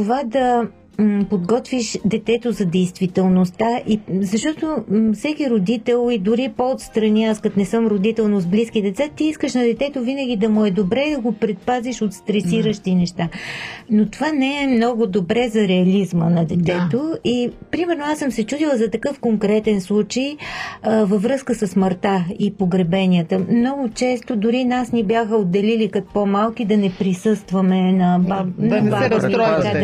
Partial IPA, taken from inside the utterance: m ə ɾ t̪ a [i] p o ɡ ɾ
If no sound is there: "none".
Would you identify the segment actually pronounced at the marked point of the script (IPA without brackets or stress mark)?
i